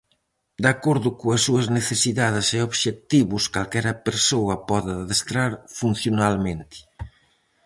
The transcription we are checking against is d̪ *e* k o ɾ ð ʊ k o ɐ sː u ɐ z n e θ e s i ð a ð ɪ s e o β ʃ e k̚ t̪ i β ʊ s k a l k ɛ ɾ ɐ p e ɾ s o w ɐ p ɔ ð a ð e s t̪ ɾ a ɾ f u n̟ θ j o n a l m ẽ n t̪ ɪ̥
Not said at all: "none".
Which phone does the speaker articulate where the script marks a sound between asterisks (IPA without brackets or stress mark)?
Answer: a